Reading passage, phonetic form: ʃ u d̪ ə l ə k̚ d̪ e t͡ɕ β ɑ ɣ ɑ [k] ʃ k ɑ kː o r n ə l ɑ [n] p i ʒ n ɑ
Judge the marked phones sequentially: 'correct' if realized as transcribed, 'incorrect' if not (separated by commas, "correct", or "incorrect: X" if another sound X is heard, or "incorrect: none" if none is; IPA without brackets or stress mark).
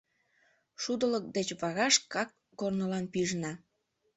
incorrect: none, correct